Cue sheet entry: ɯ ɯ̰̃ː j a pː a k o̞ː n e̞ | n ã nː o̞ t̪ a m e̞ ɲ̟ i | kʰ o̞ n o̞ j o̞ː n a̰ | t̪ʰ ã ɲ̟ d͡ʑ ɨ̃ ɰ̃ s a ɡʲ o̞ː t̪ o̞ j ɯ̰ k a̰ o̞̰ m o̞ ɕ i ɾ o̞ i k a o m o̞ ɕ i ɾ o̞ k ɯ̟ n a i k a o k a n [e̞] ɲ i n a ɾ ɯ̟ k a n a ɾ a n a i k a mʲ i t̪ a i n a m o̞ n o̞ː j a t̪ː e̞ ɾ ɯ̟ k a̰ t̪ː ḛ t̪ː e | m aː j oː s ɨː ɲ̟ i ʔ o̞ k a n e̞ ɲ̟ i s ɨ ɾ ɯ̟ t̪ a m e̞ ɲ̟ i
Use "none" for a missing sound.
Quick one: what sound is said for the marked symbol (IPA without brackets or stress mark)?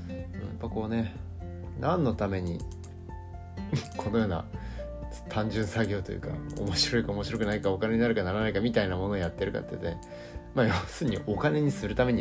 e̞